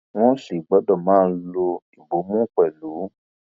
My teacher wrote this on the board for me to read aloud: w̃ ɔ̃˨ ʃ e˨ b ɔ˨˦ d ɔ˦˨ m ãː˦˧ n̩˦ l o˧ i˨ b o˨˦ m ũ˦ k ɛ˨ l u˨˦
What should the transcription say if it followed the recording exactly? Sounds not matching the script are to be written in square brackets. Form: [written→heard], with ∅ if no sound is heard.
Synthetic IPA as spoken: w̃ [ɔ̃˨→ɔ̃˦] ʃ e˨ [b→ɡ͡b] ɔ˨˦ d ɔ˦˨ m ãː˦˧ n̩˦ l o˧ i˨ b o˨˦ m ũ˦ [k→k͡p] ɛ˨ l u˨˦